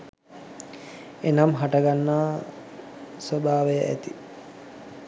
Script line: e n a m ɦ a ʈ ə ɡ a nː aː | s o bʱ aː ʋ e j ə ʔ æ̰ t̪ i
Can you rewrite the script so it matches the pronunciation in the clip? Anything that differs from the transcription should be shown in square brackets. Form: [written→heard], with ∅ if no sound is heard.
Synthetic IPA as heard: e n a m ɦ a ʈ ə ɡ a nː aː | s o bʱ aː ʋ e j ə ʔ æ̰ t̪ i